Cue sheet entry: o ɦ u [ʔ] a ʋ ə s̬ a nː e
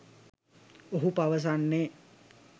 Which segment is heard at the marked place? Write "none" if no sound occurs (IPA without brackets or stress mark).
p